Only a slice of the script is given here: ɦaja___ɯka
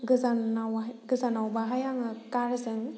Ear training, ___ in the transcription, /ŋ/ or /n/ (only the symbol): ŋ